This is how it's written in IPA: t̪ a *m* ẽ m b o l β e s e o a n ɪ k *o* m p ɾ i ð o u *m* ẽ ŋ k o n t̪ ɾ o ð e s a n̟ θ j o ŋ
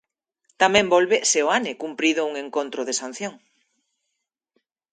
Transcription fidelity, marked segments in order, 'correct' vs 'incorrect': correct, incorrect, incorrect

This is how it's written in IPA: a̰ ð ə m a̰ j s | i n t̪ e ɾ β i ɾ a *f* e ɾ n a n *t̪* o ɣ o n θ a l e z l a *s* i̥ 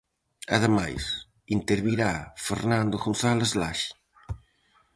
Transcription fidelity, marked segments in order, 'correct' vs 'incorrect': correct, incorrect, incorrect

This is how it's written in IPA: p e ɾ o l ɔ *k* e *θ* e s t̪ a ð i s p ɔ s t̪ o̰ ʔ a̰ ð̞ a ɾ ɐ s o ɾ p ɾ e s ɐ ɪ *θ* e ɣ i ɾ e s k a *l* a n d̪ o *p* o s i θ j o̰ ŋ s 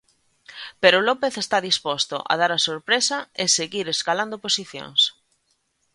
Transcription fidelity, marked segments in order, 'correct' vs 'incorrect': incorrect, correct, incorrect, correct, correct

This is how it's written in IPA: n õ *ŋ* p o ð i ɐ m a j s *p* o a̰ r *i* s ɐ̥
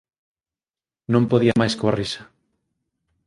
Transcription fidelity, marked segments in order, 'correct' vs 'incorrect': incorrect, incorrect, correct

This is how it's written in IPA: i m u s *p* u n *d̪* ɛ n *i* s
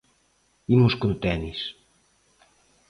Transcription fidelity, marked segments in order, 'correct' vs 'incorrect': incorrect, incorrect, correct

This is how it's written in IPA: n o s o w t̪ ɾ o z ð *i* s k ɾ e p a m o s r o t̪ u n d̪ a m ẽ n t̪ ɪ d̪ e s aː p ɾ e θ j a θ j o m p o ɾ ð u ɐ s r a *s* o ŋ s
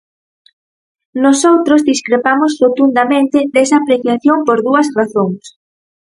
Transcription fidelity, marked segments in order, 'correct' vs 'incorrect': correct, incorrect

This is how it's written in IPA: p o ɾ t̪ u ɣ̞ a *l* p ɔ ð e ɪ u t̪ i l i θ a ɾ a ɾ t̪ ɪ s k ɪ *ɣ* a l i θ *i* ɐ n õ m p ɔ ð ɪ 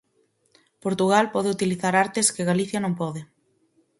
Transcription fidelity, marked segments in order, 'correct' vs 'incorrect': correct, correct, incorrect

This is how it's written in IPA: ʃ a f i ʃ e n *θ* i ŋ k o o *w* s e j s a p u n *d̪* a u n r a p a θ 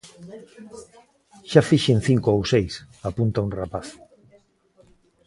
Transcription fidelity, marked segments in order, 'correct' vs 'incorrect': correct, correct, incorrect

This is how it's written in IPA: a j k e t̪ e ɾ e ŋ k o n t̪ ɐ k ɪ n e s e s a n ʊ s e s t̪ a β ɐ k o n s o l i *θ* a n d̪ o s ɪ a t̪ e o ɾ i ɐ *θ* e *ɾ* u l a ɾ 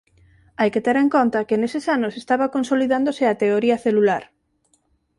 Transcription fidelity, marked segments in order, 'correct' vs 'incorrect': incorrect, correct, incorrect

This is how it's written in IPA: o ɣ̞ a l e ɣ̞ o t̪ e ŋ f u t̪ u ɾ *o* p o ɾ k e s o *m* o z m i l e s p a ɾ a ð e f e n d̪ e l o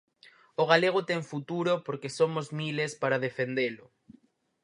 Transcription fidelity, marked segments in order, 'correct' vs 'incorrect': correct, correct

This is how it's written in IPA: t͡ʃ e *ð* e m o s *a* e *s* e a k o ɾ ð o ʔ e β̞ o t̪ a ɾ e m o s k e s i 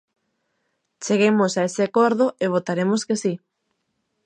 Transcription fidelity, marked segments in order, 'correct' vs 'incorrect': incorrect, correct, correct

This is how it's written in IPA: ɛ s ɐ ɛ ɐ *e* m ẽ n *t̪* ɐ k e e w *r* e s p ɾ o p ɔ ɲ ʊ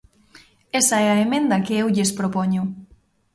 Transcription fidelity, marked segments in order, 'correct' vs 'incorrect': correct, incorrect, incorrect

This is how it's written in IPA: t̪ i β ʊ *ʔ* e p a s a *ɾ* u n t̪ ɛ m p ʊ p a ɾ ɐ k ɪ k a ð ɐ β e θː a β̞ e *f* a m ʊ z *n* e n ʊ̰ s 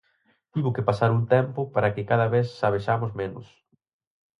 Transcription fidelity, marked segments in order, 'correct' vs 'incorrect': incorrect, correct, incorrect, incorrect

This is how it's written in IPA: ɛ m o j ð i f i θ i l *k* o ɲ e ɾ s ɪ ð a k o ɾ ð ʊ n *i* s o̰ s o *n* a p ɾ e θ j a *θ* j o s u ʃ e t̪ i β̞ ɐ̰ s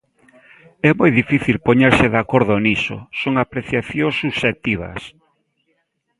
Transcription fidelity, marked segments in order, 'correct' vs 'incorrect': incorrect, correct, incorrect, correct

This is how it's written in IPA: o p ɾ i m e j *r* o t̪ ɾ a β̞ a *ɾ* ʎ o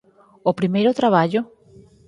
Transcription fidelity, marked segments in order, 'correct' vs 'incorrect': incorrect, incorrect

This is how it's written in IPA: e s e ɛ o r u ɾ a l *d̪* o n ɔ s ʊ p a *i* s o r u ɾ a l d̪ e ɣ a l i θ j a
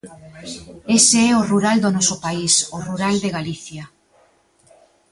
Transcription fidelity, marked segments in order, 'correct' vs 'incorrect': correct, correct

